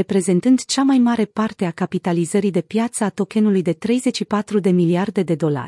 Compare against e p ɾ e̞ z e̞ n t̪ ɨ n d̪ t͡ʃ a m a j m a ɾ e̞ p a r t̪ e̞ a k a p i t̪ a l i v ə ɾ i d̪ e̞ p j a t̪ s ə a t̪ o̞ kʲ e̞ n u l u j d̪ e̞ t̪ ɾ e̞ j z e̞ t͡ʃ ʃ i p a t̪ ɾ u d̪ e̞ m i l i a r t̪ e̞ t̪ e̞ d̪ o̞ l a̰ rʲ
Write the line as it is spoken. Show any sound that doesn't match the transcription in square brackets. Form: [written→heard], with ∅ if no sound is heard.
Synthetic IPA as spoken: e p ɾ e̞ z e̞ n t̪ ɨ n d̪ t͡ʃ a m a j m a ɾ e̞ p a r t̪ e̞ a k a p i t̪ a l i [v→z] ə ɾ i d̪ e̞ p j a t̪ s ə a t̪ o̞ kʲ e̞ n u l u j d̪ e̞ t̪ ɾ e̞ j z e̞ t͡ʃ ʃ i p a t̪ ɾ u d̪ e̞ m i l i a r [t̪→d̪] e̞ [t̪→d̪] e̞ d̪ o̞ l a̰ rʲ